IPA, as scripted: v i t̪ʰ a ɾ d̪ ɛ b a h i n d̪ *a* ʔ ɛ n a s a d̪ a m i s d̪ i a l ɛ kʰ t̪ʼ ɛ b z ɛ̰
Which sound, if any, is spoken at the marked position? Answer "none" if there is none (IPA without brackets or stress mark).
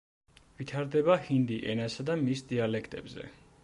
i